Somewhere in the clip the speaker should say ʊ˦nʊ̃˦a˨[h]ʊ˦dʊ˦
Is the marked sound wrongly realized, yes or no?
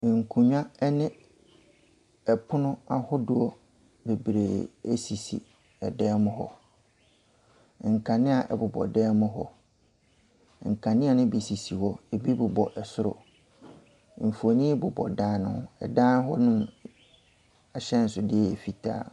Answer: no